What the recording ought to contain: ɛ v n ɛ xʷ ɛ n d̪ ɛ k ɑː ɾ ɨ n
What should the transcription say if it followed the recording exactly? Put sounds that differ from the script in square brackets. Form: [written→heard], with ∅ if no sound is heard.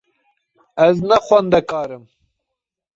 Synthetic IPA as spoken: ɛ [v→z] n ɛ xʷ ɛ n d̪ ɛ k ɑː ɾ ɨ [n→m]